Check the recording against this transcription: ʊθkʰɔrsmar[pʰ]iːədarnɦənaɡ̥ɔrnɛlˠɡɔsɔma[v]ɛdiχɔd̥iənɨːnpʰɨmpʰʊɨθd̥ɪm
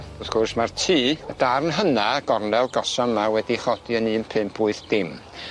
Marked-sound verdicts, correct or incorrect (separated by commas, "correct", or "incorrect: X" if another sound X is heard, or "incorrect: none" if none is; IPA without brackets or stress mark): incorrect: tʰ, incorrect: w